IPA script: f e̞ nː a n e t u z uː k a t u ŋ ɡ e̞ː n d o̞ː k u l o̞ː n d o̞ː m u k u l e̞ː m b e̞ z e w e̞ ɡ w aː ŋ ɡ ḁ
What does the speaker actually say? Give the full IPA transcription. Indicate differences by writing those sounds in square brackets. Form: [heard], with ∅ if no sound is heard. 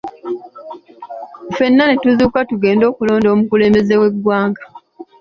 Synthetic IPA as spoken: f e̞ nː a n e t u z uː k a t u [∅] ɡ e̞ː n d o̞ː k u l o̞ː n d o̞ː m u k u l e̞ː m b e̞ z e w e̞ ɡ w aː ŋ ɡ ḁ